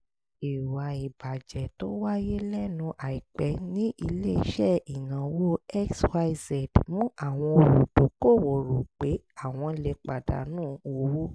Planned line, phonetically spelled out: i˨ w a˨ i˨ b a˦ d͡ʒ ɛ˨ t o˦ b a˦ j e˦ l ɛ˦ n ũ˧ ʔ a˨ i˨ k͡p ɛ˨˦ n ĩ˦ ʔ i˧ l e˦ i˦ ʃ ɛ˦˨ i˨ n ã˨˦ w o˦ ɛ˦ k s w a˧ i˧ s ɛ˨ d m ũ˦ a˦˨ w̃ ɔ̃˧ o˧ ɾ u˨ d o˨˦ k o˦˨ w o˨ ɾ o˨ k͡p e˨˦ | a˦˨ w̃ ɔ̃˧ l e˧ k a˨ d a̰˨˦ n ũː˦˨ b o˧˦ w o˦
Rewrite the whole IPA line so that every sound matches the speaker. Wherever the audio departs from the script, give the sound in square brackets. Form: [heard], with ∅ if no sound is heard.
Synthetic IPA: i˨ w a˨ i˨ b [a˨] d͡ʒ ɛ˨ t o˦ [w] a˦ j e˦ l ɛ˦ n ũ˧ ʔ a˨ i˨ k͡p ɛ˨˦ n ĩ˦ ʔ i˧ l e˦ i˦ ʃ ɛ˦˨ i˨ n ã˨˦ w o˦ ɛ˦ k s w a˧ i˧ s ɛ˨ d m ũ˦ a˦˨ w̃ ɔ̃˧ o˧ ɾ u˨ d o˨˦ k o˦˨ w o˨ ɾ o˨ k͡p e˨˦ | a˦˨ w̃ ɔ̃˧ l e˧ [k͡p] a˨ d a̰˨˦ n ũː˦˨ [w] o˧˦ w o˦